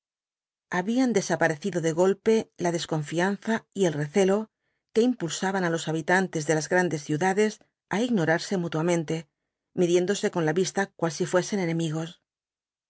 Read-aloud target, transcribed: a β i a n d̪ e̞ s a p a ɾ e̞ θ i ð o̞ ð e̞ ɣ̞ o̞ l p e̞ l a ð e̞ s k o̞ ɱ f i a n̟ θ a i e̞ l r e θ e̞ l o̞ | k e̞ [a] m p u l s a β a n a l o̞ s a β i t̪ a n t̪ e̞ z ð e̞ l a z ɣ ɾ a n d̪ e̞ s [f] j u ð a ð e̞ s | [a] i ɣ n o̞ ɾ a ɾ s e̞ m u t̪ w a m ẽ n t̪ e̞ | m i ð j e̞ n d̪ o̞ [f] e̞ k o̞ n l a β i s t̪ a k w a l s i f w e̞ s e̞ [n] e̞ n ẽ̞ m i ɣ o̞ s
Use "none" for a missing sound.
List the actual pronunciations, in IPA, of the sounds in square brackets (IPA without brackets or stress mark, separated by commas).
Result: i, θ, a, s, n